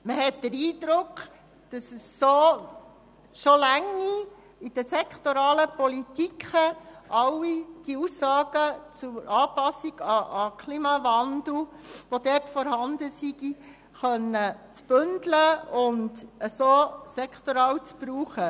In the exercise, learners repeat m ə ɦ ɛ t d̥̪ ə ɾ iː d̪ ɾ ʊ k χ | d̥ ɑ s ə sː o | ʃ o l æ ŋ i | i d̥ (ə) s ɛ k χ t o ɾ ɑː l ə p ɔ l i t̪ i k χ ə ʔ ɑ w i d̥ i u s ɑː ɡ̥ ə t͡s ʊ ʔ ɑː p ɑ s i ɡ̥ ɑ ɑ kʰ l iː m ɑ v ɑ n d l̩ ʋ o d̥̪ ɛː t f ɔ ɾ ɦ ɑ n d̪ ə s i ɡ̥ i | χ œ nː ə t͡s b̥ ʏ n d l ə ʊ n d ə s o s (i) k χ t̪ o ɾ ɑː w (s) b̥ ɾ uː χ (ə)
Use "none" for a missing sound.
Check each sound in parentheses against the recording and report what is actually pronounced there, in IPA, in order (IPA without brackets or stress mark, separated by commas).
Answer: ə, ɛ, t͡s, ə